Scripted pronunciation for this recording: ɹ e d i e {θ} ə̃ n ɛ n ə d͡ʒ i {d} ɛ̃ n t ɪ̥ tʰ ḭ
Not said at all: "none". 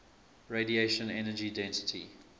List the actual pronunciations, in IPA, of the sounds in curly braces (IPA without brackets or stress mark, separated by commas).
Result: ʃ, d